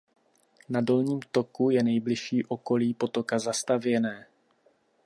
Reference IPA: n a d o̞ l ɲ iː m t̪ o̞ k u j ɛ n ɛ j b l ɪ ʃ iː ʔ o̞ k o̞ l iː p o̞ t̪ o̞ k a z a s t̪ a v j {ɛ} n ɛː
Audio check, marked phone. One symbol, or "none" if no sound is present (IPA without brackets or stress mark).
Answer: ɛ